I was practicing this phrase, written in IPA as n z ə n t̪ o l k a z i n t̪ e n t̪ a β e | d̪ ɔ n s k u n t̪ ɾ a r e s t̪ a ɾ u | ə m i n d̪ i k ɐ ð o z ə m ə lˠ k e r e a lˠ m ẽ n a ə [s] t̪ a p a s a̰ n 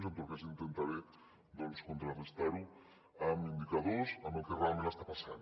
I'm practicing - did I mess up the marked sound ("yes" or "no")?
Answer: no